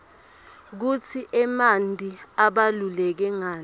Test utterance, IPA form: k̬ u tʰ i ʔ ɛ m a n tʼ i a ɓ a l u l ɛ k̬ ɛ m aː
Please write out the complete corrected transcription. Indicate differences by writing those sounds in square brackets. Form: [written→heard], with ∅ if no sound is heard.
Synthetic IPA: k̬ u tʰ i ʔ ɛ m a n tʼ i a ɓ a l u l ɛ k̬ ɛ [m→ŋ] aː